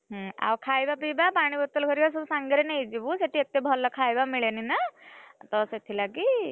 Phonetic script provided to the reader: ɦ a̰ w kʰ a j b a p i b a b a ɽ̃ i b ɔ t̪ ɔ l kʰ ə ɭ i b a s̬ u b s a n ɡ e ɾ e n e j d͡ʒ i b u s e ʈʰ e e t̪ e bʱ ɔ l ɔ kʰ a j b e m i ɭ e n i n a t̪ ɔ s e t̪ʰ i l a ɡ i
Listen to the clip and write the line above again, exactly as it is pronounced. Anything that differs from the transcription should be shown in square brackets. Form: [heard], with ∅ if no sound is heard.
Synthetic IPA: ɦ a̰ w kʰ a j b a p i b a [p] a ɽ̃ i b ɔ t̪ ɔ l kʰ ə [ɾ] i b a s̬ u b s a [ŋ] ɡ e ɾ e n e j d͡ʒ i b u s e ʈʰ [i] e t̪ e bʱ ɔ l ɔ kʰ a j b [a] m i ɭ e n i n a t̪ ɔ s e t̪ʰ i l a ɡ i